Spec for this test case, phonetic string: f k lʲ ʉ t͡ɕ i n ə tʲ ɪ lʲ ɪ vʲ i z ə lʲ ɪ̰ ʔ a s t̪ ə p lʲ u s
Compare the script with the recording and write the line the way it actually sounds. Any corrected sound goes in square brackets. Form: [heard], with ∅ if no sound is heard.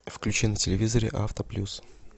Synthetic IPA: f k lʲ ʉ t͡ɕ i n ə tʲ ɪ lʲ ɪ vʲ i z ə [ɾʲ] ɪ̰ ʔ a [f] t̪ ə p lʲ u s